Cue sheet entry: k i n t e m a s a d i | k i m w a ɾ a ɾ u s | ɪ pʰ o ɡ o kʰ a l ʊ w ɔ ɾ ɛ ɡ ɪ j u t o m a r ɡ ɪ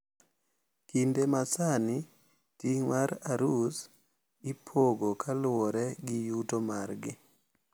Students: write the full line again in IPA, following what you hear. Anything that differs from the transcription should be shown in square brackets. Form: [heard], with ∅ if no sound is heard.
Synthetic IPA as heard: k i n [d] e m a s a [n] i | [t] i [ŋ] w a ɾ a ɾ u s | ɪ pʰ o ɡ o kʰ a l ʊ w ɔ ɾ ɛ ɡ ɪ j u t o m a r ɡ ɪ